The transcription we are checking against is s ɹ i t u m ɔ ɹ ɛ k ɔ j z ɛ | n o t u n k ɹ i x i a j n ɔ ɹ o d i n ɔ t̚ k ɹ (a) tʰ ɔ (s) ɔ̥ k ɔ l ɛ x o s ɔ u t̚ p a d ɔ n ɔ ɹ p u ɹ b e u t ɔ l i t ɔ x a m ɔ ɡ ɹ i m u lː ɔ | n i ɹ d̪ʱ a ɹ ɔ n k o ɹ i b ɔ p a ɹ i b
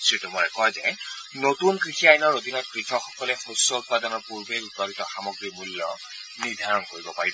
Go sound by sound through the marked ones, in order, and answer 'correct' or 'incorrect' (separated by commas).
incorrect, incorrect